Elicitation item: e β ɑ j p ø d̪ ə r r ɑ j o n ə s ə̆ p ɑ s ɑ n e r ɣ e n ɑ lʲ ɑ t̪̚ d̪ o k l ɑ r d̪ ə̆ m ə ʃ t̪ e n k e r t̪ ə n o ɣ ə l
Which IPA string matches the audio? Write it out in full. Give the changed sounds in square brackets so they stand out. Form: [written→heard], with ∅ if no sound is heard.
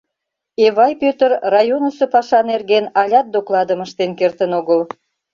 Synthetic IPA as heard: e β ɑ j p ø [d̪→t̪] ə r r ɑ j o n ə s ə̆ p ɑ [s→ʃ] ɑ n e r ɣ e n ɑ lʲ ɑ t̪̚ d̪ o k l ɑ [r→∅] d̪ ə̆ m ə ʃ t̪ e n k e r t̪ ə n o ɣ ə l